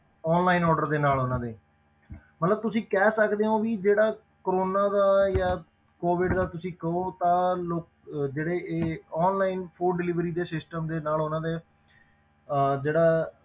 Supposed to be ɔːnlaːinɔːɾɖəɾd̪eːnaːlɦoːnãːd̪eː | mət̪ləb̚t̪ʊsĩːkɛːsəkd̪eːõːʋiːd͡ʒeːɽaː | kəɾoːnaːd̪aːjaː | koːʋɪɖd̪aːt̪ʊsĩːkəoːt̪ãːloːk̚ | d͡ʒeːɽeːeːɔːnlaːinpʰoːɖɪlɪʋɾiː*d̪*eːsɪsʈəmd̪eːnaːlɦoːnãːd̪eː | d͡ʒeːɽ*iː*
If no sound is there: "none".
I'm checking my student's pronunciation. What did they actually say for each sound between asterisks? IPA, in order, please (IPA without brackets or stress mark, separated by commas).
d̪, aː